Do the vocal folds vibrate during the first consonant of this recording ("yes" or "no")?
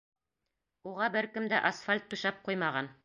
yes